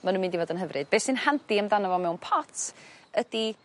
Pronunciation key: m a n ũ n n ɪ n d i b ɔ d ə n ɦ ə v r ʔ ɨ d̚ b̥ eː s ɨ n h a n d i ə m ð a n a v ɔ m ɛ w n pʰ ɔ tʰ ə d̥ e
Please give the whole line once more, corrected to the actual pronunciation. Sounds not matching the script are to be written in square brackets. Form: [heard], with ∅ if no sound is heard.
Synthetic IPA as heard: m a n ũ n [m] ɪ n d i [v] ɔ d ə n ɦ ə v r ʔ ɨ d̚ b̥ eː s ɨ n h a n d i ə m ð a n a v ɔ m ɛ w n pʰ ɔ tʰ ə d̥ [i]